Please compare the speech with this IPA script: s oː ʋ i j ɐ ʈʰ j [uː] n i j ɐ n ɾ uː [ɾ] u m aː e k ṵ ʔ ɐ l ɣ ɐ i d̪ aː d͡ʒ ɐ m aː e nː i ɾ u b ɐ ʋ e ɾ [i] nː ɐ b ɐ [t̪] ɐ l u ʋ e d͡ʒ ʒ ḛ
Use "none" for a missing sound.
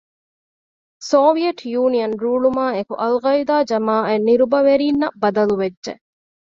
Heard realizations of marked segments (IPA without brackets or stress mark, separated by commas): uː, ɭ, iː, d̪